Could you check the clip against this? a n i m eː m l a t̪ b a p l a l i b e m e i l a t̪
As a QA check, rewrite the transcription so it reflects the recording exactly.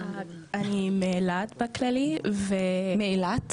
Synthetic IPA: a n i m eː l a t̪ b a k l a l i v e m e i l a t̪